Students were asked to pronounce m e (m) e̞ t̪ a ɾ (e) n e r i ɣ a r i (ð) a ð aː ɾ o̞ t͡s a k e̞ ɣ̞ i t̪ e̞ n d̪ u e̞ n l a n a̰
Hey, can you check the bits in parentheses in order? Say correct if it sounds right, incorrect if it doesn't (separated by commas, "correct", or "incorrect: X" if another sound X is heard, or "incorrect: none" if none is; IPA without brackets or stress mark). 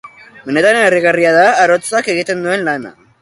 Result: incorrect: n, correct, incorrect: none